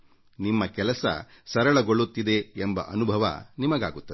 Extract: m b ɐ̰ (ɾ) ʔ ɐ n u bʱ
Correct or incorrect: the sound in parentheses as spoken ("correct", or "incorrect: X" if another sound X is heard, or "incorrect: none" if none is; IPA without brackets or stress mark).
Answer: incorrect: none